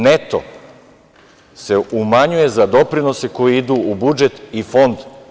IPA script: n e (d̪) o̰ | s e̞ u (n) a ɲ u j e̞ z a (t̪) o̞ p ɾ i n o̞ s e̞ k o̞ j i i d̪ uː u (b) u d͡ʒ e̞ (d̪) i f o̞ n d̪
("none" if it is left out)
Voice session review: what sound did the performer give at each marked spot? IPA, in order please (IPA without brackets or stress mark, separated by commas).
t̪, m, d̪, b, t̪